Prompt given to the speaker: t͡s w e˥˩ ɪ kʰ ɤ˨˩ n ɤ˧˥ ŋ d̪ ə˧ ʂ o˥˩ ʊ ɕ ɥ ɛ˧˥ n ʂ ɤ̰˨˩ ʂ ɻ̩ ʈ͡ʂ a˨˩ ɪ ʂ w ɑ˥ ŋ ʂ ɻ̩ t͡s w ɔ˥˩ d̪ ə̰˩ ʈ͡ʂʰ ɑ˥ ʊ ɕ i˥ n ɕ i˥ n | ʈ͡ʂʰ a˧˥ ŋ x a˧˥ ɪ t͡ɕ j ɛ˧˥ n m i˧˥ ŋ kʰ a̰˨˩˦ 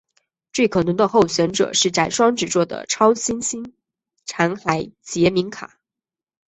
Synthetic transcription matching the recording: t͡s w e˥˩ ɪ kʰ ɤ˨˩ n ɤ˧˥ ŋ d̪ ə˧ x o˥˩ ʊ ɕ ɥ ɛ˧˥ n ʈ͡ʂ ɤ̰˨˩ ʂ ɻ̩ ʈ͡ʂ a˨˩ ɪ ʂ w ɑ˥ ŋ ʈ͡ʂ ɻ̩ t͡s w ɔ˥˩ d̪ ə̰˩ ʈ͡ʂʰ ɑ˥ ʊ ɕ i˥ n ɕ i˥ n | ʈ͡ʂʰ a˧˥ ŋ x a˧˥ ɪ t͡ɕ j ɛ˧˥ m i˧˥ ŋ kʰ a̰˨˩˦